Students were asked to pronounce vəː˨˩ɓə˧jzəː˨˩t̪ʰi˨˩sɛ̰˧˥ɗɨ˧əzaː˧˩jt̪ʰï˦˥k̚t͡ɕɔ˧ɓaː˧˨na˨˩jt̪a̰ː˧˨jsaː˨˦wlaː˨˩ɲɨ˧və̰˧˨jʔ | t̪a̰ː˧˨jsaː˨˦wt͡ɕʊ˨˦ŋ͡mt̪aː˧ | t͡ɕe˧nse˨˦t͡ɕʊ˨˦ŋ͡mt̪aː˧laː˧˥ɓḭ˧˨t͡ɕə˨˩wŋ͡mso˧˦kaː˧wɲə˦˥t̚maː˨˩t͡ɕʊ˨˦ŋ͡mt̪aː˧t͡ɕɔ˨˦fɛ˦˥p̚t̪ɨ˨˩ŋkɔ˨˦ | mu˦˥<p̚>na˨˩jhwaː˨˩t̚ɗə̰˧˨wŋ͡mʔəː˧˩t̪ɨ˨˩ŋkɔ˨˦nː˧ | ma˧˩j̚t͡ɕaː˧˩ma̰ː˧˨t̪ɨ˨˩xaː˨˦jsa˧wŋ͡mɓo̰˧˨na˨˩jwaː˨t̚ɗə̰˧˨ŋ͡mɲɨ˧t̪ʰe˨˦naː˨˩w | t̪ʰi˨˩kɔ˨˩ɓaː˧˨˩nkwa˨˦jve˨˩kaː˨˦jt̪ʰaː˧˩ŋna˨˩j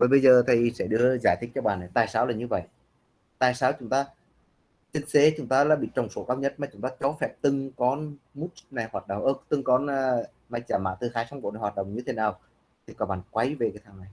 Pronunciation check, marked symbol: incorrect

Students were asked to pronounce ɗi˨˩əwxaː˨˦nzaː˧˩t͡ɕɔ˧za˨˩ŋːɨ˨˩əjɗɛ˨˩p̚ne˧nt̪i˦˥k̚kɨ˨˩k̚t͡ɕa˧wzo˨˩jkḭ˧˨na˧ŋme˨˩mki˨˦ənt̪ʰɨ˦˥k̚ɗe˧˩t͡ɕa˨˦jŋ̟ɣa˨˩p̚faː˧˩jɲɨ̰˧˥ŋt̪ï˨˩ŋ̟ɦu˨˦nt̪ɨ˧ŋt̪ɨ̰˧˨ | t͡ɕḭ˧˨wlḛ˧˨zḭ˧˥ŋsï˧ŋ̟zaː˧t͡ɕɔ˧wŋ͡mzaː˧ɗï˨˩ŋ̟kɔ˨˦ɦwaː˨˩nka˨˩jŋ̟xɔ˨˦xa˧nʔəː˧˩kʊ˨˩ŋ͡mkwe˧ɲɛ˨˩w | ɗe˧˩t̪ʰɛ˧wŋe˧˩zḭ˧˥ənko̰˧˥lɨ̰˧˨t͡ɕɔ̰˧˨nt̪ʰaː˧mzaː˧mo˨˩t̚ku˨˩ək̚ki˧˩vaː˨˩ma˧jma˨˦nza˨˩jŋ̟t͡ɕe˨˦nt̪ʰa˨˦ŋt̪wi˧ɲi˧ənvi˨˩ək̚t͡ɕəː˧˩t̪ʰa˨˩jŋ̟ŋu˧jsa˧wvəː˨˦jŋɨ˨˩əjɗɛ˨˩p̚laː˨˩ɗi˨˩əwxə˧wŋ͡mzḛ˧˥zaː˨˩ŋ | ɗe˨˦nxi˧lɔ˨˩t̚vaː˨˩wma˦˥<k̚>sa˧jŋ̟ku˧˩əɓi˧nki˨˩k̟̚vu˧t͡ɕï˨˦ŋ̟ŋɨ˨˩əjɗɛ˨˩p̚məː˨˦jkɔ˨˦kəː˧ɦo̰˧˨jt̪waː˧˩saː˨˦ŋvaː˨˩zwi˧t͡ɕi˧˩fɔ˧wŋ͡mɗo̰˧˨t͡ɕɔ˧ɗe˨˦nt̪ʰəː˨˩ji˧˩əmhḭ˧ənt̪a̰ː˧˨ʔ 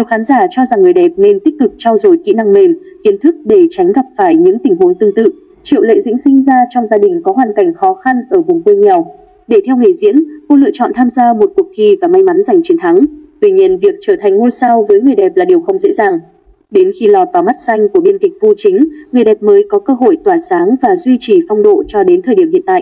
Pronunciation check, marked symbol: incorrect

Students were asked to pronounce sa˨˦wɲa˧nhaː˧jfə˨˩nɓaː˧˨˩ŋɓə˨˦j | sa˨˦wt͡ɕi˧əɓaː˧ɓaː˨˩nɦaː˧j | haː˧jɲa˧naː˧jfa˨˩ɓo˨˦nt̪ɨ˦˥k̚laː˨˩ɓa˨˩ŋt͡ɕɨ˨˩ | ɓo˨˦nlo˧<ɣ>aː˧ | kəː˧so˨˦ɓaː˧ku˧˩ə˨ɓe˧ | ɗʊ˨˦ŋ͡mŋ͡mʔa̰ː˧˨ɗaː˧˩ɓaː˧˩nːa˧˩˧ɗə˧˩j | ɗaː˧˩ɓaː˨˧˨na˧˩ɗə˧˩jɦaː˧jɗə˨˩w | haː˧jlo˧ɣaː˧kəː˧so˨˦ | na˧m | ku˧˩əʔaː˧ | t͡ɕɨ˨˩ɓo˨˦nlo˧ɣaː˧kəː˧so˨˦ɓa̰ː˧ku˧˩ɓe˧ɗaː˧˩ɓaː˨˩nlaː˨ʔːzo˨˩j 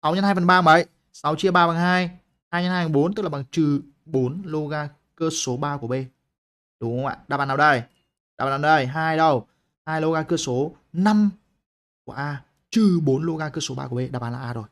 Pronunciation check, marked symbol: correct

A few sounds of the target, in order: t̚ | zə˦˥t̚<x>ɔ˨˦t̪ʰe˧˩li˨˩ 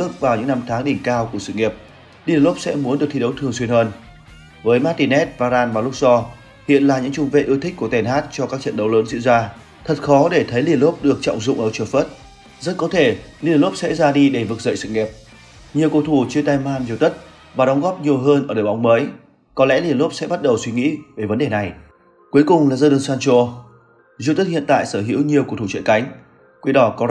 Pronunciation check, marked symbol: incorrect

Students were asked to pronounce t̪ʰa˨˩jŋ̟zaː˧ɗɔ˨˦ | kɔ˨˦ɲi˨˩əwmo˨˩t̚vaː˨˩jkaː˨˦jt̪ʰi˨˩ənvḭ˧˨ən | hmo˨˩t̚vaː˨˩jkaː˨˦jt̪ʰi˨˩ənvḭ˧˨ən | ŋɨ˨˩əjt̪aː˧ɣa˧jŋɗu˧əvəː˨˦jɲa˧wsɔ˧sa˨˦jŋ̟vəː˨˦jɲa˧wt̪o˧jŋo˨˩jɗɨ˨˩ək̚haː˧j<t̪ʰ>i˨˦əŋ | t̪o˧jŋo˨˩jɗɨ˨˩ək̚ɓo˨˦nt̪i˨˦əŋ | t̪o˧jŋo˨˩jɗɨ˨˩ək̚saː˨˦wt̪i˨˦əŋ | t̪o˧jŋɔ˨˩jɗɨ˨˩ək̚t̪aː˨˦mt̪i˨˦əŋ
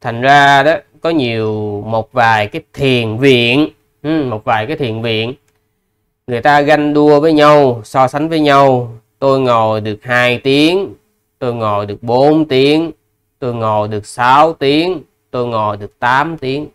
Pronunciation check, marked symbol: incorrect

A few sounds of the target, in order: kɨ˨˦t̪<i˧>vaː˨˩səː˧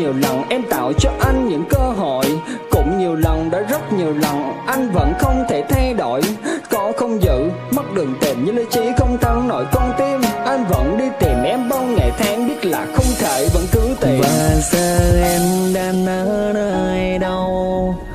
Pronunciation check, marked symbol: incorrect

